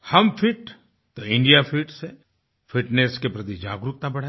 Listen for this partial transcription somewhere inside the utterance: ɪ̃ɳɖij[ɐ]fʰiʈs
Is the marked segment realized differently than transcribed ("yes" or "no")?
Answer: yes